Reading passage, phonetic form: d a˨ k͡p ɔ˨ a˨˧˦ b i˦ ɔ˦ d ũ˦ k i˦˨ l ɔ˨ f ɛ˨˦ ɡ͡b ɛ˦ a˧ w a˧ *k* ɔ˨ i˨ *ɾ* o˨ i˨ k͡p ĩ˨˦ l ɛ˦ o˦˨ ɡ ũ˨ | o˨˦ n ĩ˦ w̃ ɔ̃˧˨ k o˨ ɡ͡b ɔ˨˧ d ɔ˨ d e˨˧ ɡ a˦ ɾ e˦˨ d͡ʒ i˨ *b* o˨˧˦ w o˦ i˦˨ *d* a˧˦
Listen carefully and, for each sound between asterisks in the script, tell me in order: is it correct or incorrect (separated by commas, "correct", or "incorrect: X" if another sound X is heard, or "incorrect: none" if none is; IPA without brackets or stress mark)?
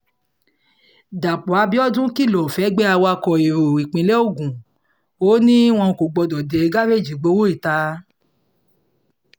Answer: correct, correct, incorrect: ɡ͡b, incorrect: t